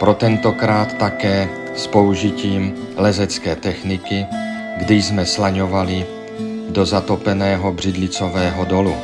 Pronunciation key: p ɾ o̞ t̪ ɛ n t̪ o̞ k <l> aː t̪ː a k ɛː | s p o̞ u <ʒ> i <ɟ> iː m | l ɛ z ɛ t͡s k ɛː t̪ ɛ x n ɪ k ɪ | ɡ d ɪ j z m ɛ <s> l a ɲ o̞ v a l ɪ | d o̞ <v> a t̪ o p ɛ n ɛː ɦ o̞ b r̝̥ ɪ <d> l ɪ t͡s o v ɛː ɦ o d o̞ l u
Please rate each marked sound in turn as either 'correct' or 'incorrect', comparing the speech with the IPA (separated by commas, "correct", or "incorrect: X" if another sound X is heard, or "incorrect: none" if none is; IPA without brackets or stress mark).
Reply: incorrect: ɾ, correct, incorrect: c, correct, incorrect: z, correct